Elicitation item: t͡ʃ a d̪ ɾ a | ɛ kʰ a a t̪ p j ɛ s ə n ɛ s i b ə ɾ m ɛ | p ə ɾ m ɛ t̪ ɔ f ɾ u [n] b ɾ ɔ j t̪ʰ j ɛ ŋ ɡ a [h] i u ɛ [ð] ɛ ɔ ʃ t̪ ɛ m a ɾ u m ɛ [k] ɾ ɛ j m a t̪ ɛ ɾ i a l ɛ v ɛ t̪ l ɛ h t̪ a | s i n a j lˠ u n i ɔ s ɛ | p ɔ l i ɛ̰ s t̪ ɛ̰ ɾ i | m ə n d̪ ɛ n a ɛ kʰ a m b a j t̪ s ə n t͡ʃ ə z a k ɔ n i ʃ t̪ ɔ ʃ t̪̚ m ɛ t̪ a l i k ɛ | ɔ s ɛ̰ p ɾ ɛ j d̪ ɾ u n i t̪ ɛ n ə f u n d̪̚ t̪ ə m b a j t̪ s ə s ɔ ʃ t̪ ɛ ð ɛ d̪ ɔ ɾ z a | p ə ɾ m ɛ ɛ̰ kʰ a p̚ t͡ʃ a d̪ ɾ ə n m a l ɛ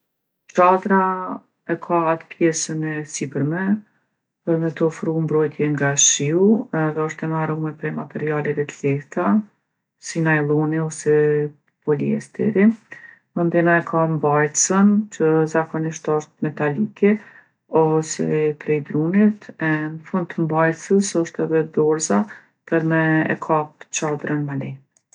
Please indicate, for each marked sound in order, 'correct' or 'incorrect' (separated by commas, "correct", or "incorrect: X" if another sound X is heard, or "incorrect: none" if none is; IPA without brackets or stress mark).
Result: incorrect: m, incorrect: ʃ, correct, incorrect: p